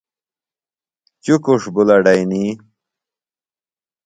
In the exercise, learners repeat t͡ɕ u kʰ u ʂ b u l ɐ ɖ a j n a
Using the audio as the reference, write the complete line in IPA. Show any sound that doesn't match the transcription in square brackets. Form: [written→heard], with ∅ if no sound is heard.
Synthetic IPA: t͡ɕ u [kʰ→k] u ʂ b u l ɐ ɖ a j n [a→i]